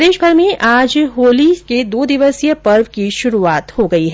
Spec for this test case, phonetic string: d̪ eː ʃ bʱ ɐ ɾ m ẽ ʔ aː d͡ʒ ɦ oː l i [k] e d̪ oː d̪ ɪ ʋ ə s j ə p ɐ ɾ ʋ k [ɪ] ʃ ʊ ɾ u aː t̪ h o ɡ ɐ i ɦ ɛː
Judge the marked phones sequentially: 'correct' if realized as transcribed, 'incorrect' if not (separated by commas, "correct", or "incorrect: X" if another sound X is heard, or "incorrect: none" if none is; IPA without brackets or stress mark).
correct, incorrect: i